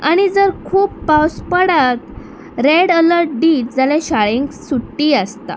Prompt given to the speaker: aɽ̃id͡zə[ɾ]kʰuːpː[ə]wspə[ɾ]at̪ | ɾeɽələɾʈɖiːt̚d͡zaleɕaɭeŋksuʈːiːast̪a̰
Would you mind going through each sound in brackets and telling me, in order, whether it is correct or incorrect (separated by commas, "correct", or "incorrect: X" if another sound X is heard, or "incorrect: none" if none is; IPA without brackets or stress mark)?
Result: correct, incorrect: a, incorrect: ɽ